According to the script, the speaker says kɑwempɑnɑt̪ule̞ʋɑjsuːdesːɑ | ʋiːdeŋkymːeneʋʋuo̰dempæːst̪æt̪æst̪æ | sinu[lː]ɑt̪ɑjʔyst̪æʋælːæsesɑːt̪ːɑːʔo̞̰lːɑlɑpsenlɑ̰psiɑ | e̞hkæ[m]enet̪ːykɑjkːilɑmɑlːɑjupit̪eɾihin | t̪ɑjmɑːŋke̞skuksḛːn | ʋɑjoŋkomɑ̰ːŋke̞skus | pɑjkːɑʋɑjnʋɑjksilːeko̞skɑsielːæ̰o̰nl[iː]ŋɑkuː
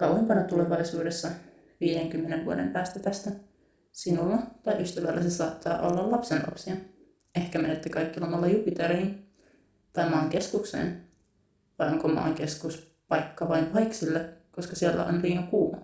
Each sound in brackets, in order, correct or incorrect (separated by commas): correct, correct, correct